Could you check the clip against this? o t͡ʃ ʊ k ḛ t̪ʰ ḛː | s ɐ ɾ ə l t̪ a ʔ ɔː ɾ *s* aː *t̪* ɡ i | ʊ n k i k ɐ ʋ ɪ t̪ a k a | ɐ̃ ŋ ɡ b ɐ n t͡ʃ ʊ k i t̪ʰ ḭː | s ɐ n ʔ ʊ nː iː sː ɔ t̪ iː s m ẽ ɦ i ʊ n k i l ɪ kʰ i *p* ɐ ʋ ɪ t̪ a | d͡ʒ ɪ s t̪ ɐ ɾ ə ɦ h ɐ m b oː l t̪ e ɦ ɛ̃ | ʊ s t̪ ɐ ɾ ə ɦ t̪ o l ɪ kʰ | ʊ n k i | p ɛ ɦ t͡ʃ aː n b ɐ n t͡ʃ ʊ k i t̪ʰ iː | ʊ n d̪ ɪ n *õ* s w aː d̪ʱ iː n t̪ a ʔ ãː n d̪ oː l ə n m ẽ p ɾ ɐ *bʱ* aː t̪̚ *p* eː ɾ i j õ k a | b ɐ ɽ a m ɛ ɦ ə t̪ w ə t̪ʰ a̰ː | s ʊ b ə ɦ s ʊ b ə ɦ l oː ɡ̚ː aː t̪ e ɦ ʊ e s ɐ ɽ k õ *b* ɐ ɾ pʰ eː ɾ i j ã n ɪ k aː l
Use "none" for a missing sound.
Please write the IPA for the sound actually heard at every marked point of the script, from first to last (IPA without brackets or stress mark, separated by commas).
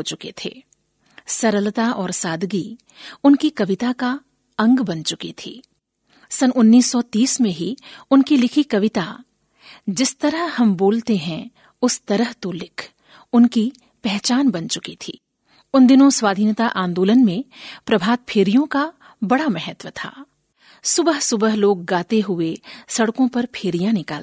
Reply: s, d̪, k, õ, bʱ, pʰ, p